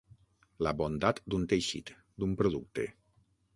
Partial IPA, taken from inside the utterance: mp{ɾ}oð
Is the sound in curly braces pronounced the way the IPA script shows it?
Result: yes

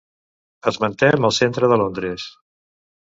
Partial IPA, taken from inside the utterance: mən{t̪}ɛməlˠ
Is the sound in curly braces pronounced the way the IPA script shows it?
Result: yes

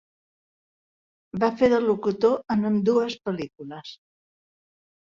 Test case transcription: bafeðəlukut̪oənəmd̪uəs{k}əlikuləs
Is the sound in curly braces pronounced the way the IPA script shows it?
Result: no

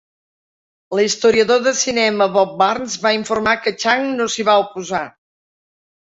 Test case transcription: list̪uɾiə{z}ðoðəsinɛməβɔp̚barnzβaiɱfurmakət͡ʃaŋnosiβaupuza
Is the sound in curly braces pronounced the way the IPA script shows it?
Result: no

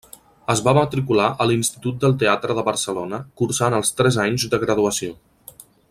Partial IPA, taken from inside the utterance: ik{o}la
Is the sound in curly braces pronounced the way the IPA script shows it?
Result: no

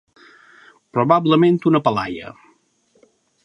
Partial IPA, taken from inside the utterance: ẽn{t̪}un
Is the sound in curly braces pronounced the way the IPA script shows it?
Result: yes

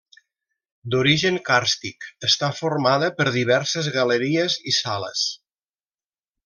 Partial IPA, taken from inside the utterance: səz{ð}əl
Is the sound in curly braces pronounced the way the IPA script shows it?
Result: no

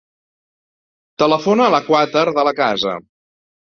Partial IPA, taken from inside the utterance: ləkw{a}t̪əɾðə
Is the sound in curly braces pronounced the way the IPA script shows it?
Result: yes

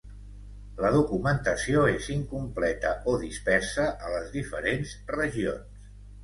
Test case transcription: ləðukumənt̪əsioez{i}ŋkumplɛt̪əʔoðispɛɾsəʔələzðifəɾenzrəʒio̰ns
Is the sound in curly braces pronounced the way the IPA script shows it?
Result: yes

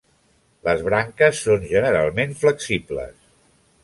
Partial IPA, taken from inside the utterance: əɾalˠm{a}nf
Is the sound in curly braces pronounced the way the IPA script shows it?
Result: no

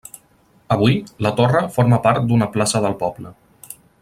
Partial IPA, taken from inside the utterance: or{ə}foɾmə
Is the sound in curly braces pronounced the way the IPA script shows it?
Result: yes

